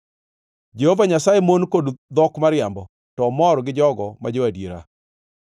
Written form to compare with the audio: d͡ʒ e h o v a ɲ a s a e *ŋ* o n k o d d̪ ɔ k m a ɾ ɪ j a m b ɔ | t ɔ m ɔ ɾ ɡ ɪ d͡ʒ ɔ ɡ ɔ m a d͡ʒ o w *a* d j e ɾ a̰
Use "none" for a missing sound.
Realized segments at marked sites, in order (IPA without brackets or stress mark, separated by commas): m, a